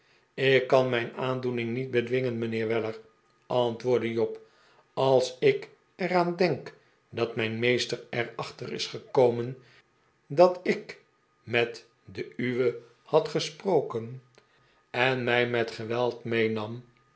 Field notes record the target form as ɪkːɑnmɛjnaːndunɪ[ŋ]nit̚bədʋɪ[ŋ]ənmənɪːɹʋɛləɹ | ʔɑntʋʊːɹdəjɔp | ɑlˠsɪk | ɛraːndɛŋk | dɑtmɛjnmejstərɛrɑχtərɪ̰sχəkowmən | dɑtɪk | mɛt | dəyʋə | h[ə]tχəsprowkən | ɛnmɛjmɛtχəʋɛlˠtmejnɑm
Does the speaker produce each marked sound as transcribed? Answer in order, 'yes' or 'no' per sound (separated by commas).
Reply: yes, yes, no